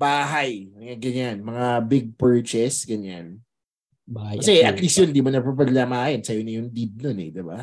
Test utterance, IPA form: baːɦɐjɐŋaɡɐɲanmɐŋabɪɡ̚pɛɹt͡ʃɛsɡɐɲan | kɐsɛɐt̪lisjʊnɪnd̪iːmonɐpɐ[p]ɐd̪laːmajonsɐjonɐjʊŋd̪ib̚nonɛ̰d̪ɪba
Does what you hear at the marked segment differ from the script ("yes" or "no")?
no